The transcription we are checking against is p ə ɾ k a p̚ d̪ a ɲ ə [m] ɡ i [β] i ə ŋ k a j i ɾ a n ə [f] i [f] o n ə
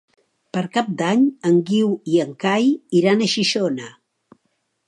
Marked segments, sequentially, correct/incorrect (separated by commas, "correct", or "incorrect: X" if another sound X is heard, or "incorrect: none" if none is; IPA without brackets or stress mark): incorrect: ŋ, incorrect: w, incorrect: ʃ, incorrect: ʃ